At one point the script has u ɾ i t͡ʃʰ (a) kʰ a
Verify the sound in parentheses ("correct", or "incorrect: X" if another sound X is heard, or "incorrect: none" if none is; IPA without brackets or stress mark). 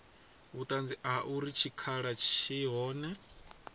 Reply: incorrect: i